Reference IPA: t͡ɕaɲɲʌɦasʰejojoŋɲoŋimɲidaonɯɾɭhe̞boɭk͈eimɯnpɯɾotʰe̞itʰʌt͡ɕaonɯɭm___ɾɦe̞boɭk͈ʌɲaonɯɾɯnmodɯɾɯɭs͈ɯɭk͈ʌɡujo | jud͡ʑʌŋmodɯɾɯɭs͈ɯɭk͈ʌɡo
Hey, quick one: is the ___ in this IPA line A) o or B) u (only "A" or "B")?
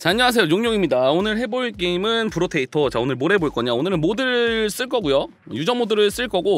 A